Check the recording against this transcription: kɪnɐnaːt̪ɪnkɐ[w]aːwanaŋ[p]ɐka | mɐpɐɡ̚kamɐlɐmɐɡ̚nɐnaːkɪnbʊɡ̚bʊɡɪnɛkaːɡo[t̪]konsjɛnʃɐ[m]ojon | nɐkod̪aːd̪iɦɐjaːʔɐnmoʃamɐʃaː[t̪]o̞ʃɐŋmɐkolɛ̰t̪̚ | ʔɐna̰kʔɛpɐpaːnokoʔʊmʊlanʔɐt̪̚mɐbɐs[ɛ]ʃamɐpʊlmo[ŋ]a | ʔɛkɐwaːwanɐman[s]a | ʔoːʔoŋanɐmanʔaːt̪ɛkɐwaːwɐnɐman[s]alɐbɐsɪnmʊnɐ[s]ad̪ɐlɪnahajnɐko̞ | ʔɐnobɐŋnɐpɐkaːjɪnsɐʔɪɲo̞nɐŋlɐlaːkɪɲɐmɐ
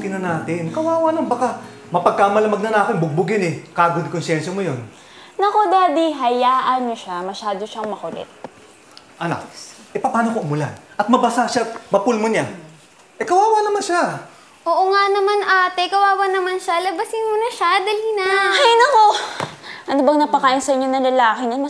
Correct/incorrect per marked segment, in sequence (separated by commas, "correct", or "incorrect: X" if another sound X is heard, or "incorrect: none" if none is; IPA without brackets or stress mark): correct, incorrect: b, incorrect: d̪, correct, incorrect: d̪, incorrect: a, incorrect: ɲ, incorrect: ʃ, incorrect: ʃ, incorrect: ʃ